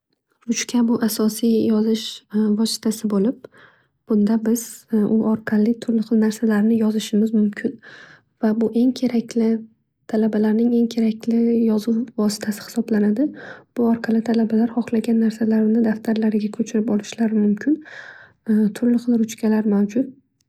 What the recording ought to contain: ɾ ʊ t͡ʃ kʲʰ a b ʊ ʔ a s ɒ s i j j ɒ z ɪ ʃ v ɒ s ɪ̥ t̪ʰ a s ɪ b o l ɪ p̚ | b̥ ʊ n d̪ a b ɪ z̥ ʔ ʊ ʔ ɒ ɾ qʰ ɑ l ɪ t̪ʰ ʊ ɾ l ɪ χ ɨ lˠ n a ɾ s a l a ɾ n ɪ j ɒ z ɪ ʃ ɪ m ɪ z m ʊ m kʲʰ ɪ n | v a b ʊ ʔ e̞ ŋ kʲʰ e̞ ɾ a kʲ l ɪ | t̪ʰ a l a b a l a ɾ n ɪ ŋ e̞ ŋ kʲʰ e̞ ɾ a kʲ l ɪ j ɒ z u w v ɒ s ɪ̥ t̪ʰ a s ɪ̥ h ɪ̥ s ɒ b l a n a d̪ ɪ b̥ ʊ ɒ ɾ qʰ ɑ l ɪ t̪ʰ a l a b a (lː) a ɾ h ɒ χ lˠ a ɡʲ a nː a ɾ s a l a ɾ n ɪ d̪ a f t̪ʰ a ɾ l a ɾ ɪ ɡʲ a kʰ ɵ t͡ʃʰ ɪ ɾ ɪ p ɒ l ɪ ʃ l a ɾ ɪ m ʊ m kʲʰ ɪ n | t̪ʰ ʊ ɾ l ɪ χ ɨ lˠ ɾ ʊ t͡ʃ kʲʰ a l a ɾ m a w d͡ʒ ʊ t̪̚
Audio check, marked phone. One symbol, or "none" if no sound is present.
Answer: l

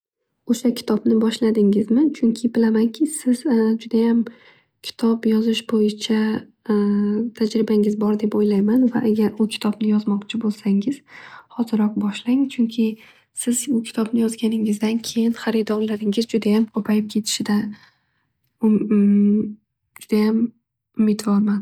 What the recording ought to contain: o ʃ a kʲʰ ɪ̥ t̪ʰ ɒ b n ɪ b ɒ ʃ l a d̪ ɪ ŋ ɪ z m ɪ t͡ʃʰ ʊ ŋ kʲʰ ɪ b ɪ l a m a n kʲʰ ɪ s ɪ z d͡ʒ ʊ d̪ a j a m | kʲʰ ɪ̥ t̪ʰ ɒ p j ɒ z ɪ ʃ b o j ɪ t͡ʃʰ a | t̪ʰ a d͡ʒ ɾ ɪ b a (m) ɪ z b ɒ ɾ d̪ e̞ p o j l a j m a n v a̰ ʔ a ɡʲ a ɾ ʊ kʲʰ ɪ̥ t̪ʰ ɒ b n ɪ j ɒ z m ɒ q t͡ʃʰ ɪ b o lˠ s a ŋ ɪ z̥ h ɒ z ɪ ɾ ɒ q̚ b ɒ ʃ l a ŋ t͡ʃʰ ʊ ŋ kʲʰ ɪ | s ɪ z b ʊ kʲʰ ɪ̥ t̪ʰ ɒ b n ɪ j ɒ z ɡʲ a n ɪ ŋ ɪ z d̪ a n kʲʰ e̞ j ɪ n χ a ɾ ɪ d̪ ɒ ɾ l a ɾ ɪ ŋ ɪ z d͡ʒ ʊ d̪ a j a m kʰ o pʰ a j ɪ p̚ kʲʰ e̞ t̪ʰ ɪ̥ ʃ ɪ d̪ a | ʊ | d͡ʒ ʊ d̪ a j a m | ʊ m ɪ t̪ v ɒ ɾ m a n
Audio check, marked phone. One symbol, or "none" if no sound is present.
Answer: ŋ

